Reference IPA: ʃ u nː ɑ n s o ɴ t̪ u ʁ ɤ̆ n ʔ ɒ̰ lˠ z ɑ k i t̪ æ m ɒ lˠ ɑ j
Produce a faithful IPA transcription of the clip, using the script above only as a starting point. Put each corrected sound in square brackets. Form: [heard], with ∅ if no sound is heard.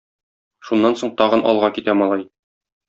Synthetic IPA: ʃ u nː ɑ n s o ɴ t̪ [ɒ] ʁ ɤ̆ n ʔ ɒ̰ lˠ [ʁ] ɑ k i t̪ æ m ɒ lˠ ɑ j